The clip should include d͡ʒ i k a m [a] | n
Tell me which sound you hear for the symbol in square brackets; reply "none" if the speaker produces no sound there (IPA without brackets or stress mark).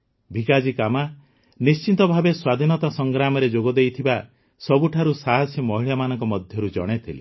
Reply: a